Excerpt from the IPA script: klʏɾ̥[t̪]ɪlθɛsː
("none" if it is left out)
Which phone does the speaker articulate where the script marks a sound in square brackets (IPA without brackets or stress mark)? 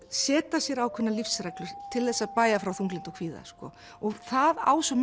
t̪ʰ